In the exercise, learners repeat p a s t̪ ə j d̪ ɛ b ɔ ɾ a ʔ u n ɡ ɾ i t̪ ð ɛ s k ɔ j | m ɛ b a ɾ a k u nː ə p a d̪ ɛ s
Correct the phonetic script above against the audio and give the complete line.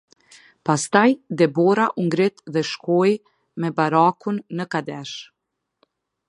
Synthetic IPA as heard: p a s t̪ a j d̪ ɛ b ɔ ɾ a ʔ u ŋ ɡ ɾ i t̪ ð ɛ ʃ k ɔ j | m ɛ b a ɾ a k u nː ə k a d̪ ɛ ʃ